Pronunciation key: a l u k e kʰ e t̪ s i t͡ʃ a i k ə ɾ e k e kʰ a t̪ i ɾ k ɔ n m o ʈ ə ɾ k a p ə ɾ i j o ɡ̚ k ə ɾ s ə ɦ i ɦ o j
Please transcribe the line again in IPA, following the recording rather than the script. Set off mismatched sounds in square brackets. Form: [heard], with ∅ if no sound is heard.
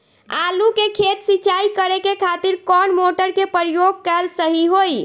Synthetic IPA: a l u k e kʰ e t̪ s i t͡ʃ a i k ə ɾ e k e kʰ a t̪ i ɾ k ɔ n m o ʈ ə ɾ k [e] p ə ɾ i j o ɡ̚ k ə [l] s ə ɦ i ɦ o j